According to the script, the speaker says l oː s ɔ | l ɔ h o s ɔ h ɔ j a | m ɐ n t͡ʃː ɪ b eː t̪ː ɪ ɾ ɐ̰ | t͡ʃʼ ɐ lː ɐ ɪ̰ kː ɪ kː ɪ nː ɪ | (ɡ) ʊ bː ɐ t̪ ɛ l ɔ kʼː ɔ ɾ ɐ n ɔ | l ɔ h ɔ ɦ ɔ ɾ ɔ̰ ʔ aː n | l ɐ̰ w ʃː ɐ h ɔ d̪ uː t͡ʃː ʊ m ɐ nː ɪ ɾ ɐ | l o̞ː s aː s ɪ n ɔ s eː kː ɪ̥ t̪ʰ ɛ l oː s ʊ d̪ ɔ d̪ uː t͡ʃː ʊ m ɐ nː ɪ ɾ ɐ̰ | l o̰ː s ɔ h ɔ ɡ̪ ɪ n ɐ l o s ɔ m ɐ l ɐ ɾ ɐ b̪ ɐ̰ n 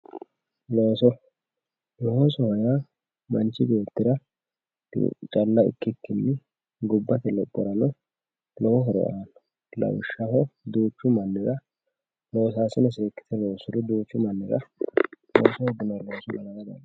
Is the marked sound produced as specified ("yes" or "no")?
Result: yes